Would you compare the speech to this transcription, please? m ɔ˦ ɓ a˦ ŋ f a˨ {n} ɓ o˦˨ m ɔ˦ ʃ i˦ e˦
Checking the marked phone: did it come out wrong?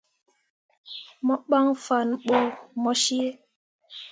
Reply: no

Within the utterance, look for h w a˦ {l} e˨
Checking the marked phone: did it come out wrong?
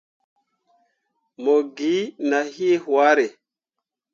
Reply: yes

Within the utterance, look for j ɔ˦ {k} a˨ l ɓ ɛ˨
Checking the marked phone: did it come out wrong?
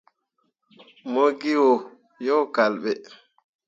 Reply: no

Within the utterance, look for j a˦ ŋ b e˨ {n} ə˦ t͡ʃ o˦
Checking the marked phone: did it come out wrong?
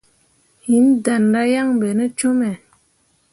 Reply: no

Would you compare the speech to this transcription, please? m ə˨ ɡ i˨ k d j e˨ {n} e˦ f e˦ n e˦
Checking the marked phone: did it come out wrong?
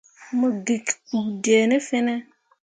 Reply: no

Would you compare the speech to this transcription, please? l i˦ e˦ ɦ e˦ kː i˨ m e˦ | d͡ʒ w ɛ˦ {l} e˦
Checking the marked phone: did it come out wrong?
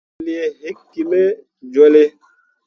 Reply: no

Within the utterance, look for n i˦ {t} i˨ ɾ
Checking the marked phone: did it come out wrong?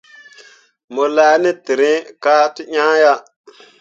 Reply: no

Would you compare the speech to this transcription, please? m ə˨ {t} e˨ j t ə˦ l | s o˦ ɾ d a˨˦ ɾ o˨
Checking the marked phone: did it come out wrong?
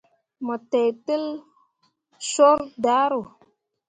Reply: no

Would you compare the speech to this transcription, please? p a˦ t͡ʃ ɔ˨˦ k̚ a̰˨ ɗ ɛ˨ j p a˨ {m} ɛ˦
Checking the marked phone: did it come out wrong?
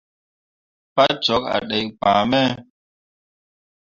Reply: no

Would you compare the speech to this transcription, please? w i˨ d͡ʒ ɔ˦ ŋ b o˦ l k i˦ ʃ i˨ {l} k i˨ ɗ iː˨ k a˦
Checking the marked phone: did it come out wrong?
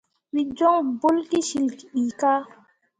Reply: no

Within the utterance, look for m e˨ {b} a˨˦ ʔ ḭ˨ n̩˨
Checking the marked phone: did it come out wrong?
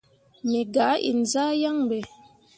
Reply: yes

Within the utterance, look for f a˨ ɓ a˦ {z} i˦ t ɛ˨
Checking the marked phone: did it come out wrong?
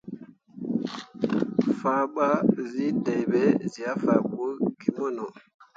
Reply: no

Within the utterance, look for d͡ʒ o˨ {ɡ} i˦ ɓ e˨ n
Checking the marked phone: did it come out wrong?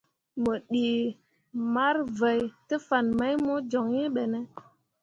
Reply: yes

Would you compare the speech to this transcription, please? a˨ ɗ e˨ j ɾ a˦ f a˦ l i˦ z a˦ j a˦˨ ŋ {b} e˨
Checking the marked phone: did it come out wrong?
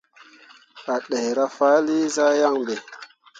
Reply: no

